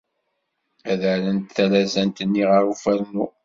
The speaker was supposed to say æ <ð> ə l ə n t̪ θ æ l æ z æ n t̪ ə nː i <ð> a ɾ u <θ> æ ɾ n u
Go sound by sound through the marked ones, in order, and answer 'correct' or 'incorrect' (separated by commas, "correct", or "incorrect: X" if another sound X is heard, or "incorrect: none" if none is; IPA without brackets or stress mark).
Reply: correct, incorrect: ʁ, incorrect: f